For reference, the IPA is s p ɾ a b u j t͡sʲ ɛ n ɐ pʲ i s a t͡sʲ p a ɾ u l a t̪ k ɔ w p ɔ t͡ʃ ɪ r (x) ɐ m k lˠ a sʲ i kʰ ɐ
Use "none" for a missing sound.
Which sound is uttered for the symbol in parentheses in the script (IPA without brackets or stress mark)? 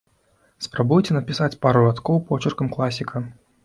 k